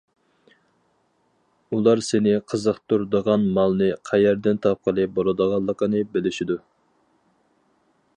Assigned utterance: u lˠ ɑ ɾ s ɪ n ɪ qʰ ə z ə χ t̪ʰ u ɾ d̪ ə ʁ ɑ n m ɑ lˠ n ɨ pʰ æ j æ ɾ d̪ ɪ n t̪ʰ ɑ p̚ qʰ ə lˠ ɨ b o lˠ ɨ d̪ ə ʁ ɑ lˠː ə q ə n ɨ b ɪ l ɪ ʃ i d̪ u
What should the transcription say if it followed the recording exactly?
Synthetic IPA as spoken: u lˠ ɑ ɾ s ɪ n ɪ qʰ ə z ə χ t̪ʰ u ɾ d̪ ə ʁ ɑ n m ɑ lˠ n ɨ qʰ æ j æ ɾ d̪ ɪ n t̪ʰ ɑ p̚ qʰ ə lˠ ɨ b o lˠ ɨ d̪ ə ʁ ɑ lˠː ə q ə n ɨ b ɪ l ɪ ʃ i d̪ u

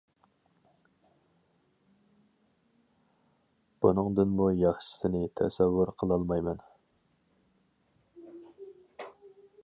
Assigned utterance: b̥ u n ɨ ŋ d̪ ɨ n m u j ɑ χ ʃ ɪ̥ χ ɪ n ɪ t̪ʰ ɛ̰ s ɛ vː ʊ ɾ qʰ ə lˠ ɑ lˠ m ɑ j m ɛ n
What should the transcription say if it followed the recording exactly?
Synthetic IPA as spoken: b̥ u n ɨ ŋ d̪ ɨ n m u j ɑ χ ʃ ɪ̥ s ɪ n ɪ t̪ʰ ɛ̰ s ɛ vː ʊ ɾ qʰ ə lˠ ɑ lˠ m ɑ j m ɛ n

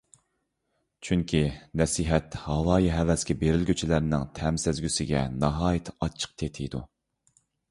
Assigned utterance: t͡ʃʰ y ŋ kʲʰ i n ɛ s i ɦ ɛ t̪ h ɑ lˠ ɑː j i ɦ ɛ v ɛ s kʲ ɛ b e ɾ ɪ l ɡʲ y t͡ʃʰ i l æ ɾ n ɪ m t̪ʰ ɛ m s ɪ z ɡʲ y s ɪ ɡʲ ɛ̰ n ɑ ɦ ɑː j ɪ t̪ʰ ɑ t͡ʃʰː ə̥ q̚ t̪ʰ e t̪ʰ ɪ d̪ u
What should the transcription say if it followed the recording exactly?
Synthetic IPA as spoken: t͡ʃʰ y ŋ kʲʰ i n ɛ s i ɦ ɛ t̪ h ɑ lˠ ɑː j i ɦ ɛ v ɛ s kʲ ɛ b e ɾ ɪ l ɡʲ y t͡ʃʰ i l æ ɾ n ɪ ŋ t̪ʰ ɛ m s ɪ z ɡʲ y s ɪ ɡʲ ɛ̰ n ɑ ɦ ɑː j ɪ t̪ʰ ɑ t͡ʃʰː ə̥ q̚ t̪ʰ e t̪ʰ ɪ d̪ u

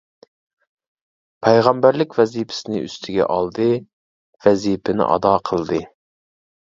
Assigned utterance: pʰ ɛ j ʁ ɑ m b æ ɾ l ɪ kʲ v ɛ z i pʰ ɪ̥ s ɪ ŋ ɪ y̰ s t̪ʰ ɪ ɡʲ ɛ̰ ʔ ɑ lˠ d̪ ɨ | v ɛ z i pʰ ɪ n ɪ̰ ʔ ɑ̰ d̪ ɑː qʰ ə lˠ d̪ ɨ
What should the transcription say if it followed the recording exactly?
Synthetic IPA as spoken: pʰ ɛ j ʁ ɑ m b æ ɾ l ɪ kʲ v ɛ z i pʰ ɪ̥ s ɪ n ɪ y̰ s t̪ʰ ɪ ɡʲ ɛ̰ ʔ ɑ lˠ d̪ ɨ | v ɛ z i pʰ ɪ n ɪ̰ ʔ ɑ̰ d̪ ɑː qʰ ə lˠ d̪ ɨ

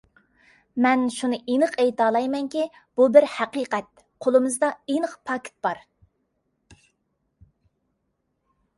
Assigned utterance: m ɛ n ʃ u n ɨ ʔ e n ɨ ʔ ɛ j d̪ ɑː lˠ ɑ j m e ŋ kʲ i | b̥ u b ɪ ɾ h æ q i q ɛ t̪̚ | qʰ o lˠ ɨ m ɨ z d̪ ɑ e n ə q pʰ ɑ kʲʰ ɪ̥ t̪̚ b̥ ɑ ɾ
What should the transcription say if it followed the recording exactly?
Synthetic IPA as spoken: m ɛ n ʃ u n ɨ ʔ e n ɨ q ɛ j t̪ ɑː lˠ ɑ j m ɛ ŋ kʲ i | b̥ u b ɪ ɾ h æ q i q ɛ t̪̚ | qʰ o lˠ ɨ m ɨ z d̪ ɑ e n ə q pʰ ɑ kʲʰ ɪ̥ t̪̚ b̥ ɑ ɾ

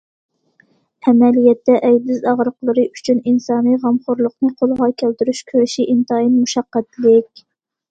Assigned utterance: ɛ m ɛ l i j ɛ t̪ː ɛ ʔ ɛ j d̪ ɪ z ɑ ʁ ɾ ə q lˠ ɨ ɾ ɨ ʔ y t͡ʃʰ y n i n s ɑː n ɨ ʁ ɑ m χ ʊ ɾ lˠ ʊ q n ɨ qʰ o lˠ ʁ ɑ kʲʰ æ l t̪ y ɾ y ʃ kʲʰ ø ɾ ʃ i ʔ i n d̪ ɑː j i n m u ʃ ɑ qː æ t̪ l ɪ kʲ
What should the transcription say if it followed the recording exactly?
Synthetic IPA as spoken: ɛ m ɛ l i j ɛ t̪ː ɛ ʔ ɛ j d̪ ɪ z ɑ ʁ ɾ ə q lˠ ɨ ɾ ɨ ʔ y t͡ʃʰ y n i n s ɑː n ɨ ʁ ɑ m χ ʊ ɾ lˠ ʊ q n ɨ qʰ o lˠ ʁ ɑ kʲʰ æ l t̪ y ɾ y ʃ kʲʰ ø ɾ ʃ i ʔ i n t̪ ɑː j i n m u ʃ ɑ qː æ t̪ l ɪ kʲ

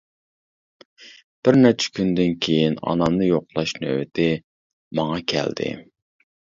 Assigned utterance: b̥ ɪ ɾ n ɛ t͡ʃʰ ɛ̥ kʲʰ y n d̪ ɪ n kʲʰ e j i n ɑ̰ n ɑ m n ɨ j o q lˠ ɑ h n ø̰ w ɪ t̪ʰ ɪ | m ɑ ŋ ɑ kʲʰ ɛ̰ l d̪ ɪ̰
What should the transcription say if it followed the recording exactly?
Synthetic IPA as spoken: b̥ ɪ ɾ n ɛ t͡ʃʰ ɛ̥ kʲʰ y n d̪ ɪ n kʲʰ e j i n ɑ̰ n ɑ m n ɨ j o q lˠ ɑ ʃ n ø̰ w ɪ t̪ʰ ɪ | m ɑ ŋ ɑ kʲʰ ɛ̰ l d̪ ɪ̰

